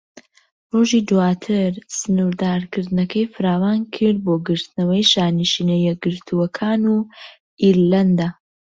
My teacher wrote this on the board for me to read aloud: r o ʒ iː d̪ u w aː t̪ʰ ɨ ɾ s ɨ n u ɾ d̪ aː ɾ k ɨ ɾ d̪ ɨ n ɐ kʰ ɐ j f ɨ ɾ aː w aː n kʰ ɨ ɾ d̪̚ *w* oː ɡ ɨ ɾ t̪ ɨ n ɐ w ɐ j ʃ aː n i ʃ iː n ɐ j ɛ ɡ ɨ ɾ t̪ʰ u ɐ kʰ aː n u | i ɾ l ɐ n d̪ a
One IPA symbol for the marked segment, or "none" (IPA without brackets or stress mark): b